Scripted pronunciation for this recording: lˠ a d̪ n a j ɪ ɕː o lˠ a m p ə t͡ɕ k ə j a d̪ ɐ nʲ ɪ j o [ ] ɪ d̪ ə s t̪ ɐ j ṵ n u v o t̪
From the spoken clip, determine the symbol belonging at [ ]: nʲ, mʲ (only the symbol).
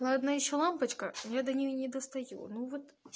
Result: nʲ